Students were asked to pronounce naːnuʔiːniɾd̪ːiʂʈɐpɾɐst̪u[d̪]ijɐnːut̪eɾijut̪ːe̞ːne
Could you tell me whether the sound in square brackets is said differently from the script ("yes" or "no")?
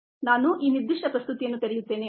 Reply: yes